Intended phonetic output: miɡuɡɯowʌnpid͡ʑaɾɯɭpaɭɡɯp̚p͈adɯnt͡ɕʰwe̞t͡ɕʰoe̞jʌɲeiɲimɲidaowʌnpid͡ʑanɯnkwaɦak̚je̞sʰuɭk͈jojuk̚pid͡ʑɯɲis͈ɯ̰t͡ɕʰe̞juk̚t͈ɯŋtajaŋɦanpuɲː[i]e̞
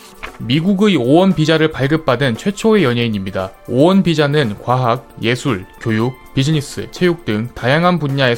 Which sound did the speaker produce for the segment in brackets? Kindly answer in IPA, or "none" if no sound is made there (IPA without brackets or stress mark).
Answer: a